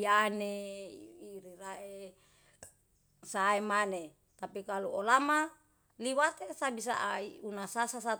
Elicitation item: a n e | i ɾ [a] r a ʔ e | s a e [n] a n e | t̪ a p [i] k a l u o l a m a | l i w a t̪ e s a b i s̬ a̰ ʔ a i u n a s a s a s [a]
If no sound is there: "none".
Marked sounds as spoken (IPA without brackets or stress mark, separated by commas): i, m, i, a